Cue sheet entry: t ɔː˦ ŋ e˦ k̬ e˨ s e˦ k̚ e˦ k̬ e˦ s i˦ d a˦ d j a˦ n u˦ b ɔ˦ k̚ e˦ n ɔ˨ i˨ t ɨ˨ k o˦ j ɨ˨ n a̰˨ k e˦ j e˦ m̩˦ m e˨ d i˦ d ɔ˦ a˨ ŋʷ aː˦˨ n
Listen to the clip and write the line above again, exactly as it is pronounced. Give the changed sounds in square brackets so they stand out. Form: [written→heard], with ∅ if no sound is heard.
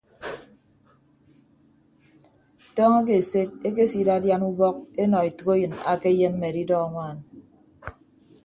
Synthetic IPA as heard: t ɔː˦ ŋ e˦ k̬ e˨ s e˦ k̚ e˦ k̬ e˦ s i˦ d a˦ d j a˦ n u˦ b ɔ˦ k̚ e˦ n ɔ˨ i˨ t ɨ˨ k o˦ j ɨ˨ n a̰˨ k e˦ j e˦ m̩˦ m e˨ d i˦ d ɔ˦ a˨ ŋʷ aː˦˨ n